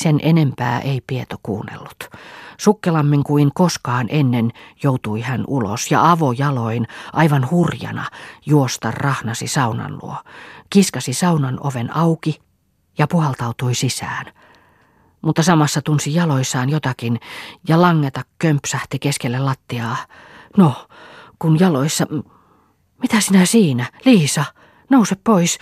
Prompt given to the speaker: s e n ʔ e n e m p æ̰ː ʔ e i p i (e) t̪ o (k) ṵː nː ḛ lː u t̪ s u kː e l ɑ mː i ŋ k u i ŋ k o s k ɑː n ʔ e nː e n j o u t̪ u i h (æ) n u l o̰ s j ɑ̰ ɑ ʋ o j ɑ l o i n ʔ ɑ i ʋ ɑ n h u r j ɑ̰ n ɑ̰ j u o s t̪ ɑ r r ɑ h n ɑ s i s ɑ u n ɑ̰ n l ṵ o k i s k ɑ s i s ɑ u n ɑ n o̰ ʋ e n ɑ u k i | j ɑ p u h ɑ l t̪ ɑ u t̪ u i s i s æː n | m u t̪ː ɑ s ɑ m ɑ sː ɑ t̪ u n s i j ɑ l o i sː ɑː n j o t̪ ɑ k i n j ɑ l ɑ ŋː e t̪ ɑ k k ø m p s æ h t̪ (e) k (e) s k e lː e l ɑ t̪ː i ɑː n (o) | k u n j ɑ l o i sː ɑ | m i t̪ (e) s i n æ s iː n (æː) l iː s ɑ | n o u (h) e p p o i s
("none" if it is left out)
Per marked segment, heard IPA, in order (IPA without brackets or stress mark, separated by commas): e, k, æ, i, e, o, æ, æ, s